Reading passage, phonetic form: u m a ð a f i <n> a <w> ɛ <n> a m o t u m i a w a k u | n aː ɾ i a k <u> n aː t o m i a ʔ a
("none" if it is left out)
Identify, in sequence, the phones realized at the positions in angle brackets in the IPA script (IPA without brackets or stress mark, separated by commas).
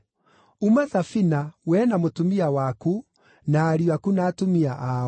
n, w, n, u